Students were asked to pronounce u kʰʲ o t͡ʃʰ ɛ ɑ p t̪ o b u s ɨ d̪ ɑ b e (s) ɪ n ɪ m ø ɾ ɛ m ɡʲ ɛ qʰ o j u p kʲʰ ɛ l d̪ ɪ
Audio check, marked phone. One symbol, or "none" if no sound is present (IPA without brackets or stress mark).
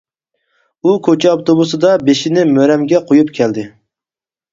ʃ